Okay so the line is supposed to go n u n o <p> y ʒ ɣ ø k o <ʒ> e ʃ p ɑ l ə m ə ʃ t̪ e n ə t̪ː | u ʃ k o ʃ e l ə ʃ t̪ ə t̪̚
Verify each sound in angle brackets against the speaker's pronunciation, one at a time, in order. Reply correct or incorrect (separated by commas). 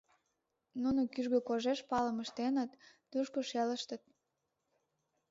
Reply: incorrect, correct